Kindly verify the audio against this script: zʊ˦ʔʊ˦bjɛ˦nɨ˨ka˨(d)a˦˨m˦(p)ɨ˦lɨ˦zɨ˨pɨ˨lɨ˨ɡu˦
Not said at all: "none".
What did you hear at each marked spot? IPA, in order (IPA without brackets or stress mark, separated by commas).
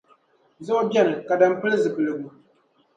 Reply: d, p